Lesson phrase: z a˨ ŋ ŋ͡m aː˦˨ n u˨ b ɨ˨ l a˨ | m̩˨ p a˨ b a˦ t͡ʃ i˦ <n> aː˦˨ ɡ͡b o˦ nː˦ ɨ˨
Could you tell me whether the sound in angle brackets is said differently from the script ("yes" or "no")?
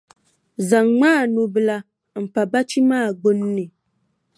yes